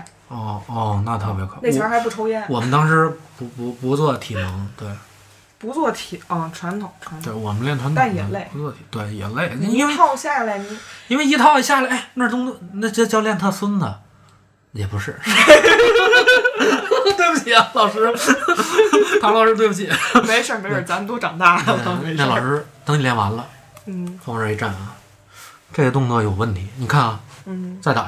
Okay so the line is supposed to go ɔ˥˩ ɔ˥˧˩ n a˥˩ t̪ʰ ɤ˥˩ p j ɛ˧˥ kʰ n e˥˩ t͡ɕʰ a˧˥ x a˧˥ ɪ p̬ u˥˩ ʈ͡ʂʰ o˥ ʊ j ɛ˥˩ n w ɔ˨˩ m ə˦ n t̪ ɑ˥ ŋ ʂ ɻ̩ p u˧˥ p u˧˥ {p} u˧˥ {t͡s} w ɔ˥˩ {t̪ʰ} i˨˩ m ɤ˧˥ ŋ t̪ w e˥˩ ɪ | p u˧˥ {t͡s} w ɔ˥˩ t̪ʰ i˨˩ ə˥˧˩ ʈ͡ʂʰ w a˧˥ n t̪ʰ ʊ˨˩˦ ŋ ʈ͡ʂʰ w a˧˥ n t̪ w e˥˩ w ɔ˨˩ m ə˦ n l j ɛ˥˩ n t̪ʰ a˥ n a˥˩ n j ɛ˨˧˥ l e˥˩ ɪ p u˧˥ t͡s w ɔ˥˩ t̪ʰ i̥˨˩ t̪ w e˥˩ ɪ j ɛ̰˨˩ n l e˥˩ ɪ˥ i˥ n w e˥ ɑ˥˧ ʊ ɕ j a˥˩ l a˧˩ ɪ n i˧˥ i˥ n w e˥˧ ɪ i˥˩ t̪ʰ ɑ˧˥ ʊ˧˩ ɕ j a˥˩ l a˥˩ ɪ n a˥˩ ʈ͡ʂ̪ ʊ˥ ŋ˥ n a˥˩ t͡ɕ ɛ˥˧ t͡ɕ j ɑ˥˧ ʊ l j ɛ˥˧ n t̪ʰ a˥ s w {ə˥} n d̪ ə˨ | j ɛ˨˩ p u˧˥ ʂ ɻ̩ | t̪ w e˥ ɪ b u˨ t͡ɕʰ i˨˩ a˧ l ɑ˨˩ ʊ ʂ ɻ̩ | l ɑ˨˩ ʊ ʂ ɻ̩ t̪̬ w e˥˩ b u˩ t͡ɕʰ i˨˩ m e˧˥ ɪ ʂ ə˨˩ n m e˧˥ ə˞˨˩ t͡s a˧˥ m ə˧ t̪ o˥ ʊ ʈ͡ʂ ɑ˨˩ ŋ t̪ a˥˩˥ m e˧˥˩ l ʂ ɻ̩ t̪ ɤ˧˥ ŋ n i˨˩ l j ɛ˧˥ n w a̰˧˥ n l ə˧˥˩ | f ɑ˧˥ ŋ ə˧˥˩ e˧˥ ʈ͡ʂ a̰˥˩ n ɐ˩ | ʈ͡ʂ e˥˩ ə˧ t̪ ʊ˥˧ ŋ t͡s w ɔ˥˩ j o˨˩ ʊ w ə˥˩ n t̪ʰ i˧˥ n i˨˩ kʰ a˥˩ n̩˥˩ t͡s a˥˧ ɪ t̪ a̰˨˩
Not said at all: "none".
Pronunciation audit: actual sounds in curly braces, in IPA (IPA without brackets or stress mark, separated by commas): p, t͡s, t̪ʰ, t͡s, ə˥